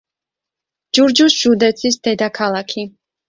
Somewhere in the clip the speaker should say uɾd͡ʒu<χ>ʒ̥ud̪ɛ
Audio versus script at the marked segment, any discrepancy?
yes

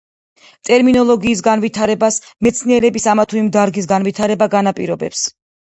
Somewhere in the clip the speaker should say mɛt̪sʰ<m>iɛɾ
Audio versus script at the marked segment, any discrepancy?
yes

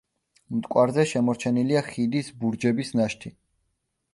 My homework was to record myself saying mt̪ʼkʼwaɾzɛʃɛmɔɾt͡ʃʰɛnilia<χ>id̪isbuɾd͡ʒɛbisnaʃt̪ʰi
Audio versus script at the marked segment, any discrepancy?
no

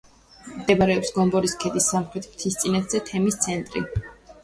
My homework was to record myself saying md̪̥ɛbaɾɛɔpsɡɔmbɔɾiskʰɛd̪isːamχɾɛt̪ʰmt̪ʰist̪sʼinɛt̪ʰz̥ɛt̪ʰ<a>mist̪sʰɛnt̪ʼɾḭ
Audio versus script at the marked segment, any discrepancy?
yes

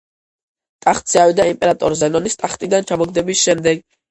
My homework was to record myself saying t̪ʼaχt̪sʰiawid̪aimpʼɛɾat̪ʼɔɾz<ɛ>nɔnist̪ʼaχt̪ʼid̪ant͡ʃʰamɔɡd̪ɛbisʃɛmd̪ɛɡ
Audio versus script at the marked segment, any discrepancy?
no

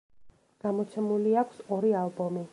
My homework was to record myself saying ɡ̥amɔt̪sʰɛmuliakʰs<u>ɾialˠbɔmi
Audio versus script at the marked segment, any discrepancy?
yes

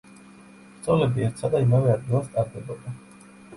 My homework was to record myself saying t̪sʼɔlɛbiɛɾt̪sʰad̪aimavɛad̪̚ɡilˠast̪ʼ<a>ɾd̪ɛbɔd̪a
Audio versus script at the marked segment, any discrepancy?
no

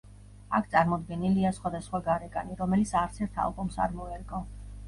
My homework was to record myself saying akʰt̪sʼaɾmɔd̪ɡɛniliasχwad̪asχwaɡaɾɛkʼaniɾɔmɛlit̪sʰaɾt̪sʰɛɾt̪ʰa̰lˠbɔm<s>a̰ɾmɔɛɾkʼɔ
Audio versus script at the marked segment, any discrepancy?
no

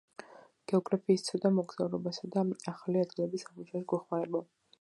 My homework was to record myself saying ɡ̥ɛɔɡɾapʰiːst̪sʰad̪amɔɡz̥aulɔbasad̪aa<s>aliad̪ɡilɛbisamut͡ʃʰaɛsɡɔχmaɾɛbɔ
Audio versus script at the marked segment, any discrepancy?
yes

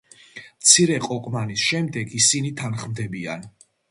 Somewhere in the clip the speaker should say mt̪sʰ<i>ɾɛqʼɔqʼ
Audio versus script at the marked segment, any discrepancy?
no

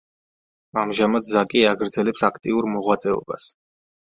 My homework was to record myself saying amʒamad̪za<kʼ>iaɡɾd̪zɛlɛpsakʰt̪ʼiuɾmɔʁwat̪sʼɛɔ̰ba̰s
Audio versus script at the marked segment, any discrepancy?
no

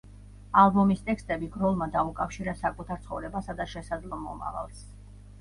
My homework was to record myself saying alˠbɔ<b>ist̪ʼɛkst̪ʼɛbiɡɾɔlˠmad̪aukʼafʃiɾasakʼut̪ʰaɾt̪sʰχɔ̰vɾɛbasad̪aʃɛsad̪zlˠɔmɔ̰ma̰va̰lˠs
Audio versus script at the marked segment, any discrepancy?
yes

